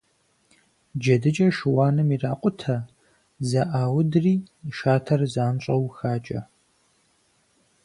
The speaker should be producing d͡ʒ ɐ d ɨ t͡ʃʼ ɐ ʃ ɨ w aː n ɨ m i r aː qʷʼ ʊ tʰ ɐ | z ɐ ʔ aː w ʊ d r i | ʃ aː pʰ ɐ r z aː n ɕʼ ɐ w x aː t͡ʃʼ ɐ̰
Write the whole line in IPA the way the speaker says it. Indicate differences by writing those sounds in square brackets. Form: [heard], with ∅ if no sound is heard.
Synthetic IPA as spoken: d͡ʒ ɐ d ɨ t͡ʃʼ ɐ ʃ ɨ w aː n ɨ m i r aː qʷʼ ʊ tʰ ɐ | z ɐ ʔ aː w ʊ d r [iː] | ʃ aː [tʰ] ɐ r z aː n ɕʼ ɐ w x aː t͡ʃʼ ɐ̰